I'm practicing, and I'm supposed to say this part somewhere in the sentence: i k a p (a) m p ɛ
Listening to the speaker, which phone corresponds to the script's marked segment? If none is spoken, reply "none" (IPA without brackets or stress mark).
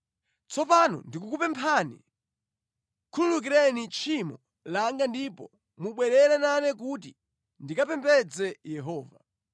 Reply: ɛ